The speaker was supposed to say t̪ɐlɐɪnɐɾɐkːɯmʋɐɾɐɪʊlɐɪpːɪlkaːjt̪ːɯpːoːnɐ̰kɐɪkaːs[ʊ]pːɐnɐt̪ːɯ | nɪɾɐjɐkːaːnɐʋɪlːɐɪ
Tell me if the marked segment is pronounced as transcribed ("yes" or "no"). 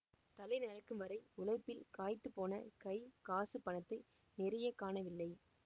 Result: no